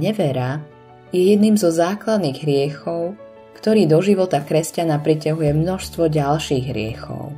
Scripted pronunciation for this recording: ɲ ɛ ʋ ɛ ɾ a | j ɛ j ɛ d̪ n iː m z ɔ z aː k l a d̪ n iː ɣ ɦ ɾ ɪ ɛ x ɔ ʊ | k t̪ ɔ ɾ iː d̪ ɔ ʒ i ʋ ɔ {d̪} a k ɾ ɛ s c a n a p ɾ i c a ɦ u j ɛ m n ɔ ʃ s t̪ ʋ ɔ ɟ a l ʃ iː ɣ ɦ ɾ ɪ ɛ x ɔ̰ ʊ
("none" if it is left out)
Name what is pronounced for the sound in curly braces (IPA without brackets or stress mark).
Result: t̪